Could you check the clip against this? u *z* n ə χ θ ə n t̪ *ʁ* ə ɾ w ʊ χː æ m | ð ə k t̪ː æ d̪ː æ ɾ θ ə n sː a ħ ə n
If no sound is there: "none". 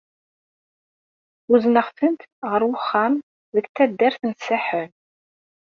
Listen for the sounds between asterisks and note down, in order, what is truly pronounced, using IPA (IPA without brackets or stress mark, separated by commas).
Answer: z, ʁ